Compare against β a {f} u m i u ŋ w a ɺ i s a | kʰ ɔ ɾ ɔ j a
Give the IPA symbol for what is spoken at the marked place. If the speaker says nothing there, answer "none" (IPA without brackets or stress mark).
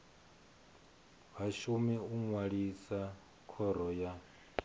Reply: ʃ